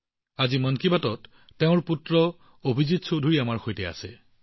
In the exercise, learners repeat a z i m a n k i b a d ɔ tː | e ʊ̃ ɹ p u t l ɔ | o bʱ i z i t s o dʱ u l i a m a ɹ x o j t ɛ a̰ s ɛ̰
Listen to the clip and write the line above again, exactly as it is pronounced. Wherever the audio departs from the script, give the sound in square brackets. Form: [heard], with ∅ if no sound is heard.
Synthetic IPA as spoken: a z i m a n k i b a [t] ɔ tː | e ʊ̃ ɹ p u t [ɹ] ɔ | o bʱ i z i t s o dʱ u [ɹ] i a m a ɹ x o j t ɛ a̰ s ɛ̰